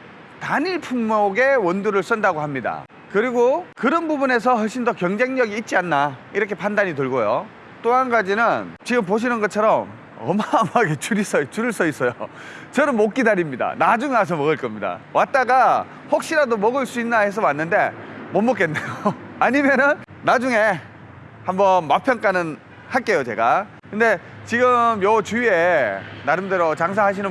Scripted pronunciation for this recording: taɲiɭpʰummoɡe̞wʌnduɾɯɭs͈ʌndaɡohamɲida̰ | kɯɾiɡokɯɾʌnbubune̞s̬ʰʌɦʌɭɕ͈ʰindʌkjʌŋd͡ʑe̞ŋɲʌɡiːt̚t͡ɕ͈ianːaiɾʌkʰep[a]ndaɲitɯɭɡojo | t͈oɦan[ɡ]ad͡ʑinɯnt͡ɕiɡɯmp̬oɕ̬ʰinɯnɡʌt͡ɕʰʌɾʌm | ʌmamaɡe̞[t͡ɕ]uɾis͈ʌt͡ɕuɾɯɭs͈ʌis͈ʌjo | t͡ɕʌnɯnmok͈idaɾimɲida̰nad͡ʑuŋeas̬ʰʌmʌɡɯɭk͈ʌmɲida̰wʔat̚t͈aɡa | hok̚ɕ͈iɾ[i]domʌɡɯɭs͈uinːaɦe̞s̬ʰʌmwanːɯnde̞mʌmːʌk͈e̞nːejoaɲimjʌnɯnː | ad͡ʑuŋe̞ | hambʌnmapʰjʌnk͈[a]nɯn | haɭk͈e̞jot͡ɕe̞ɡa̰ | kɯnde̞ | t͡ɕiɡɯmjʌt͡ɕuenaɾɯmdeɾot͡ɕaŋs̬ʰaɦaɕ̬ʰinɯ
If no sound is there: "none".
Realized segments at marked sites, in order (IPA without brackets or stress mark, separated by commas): a, ɡ, t͡ɕ, a, a